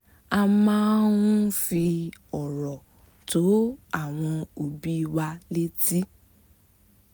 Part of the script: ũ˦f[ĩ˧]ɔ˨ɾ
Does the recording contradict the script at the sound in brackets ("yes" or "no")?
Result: yes